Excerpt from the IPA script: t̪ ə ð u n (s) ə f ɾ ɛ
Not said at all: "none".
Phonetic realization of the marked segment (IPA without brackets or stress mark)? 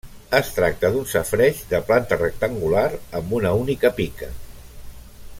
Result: s